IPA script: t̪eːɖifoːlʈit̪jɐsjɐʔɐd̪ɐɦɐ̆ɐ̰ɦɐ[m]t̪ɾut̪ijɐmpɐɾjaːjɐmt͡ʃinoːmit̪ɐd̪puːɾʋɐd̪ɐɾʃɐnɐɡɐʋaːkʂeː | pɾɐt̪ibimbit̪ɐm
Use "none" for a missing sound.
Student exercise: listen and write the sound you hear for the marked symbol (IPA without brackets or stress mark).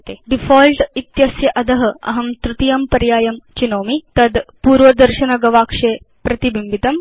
m